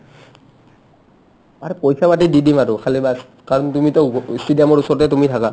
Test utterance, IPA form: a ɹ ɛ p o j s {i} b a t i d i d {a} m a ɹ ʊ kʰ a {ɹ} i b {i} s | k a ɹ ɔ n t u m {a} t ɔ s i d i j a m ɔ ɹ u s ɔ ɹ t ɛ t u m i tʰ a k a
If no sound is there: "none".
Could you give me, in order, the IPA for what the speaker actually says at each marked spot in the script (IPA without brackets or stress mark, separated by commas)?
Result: a, i, l, a, i